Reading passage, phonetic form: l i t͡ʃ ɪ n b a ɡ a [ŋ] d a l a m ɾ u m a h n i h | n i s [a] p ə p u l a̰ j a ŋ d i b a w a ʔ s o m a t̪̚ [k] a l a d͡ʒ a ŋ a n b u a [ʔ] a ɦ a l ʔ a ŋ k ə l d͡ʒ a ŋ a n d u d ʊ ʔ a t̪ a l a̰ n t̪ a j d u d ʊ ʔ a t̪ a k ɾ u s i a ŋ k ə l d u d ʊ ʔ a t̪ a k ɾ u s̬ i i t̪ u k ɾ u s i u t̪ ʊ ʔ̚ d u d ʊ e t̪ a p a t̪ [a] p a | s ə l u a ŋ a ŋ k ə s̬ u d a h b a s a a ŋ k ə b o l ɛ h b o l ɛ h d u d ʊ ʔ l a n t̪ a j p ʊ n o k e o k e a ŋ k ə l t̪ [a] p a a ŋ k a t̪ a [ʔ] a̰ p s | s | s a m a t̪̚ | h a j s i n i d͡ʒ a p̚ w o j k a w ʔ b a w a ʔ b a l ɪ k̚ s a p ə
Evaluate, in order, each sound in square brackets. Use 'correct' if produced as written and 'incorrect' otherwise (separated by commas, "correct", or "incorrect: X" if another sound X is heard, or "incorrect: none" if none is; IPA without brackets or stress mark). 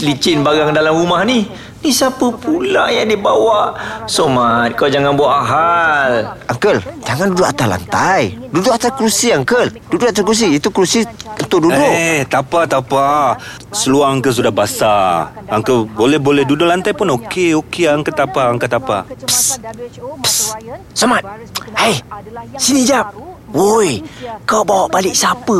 correct, correct, correct, correct, correct, correct, incorrect: p